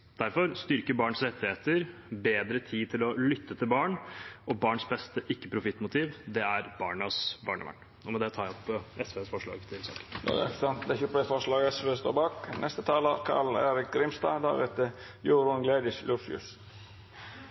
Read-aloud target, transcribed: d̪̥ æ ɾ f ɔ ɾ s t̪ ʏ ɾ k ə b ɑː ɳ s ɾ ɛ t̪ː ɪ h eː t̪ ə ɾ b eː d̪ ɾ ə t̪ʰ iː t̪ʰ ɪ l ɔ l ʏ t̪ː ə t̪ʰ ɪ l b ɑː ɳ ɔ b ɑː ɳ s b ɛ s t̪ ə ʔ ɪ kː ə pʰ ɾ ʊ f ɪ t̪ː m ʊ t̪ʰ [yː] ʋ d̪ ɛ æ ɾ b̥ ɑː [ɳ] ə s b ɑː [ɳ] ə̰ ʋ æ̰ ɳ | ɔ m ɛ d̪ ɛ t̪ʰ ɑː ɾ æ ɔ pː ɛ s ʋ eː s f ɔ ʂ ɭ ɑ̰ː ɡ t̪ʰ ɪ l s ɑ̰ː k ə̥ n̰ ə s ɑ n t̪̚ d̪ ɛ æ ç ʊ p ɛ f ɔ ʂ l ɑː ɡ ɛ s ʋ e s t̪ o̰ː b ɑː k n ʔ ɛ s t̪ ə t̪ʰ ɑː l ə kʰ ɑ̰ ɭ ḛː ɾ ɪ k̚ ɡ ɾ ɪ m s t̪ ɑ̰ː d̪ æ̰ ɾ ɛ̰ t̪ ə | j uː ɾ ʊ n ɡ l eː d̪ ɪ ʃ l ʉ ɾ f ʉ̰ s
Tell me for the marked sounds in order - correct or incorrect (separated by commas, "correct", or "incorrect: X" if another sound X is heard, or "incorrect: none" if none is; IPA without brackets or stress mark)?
incorrect: iː, correct, correct